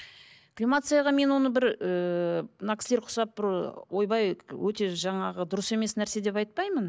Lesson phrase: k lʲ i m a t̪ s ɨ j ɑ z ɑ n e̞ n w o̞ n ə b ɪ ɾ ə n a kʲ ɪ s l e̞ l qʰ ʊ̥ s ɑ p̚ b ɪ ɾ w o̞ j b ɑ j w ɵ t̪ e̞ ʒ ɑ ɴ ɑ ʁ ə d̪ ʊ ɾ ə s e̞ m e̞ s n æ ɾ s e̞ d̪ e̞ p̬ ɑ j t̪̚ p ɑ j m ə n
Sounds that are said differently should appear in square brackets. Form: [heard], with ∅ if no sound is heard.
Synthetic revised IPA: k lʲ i m a t̪ s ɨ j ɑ [ʁ] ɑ [m] e̞ n w o̞ n ə b ɪ ɾ ə n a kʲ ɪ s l e̞ [ɾ] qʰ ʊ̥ s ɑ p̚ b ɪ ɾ w o̞ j b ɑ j w ɵ t̪ e̞ ʒ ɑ ɴ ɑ ʁ ə d̪ ʊ ɾ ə s e̞ m e̞ s n æ ɾ s e̞ d̪ e̞ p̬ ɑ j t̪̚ p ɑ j m ə n